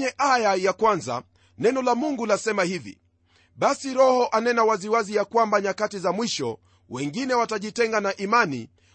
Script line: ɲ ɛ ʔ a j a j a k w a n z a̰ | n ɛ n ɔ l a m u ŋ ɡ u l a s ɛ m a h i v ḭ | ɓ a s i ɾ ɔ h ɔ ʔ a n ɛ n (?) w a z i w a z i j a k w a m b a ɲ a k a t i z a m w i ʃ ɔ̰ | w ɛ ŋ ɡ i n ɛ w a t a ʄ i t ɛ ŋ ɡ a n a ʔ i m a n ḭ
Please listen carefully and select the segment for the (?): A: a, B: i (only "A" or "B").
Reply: A